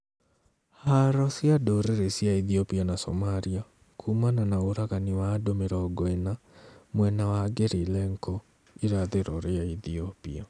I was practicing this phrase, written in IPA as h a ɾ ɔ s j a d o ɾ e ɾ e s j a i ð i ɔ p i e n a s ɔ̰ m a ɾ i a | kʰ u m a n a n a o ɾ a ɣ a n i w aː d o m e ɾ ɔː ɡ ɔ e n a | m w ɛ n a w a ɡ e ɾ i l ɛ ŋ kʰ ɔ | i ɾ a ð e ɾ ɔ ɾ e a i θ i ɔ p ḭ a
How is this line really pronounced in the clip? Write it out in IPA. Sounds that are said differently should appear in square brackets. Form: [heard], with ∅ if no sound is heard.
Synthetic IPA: h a ɾ ɔ s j a d o ɾ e ɾ e s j a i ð i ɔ p i [a] n a s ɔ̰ m a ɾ i a | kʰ u m a n a n a o ɾ a ɣ a n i w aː d o m e ɾ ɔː ɡ ɔ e n a | m w ɛ n a w a ɡ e ɾ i l ɛ ŋ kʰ ɔ | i ɾ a ð e ɾ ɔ ɾ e a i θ i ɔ p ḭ a